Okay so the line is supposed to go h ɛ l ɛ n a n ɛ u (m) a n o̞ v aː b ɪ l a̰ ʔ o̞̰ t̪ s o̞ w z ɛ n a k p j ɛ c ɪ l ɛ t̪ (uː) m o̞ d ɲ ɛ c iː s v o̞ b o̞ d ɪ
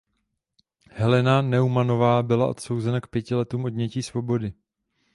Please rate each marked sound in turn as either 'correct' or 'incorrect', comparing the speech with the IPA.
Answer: correct, correct

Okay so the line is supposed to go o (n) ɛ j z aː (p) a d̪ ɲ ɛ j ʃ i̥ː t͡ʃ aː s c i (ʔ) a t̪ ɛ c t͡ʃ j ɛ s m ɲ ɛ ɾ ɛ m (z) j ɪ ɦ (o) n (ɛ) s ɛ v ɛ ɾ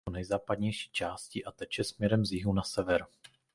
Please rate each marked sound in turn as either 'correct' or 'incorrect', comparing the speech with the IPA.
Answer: correct, correct, correct, correct, incorrect, incorrect

